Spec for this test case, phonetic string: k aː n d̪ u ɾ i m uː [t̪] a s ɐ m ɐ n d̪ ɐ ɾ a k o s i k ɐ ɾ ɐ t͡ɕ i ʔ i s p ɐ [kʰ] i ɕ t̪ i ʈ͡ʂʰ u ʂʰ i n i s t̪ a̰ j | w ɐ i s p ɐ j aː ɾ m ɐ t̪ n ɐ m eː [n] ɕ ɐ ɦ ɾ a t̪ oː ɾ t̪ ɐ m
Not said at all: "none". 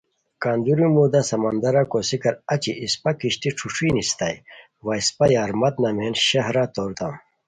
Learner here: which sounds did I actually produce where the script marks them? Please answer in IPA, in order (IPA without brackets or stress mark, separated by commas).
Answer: d̪, k, n